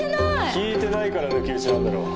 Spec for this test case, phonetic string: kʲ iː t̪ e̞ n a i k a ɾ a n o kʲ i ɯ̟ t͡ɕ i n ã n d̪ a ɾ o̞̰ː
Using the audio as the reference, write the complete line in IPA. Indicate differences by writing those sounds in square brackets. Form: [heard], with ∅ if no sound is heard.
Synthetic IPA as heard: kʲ iː t̪ e̞ n a i k a ɾ a n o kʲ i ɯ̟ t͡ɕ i n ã n d̪ a ɾ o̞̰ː